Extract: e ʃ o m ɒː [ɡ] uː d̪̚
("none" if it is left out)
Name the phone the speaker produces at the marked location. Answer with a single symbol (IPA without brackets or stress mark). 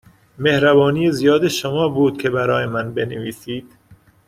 b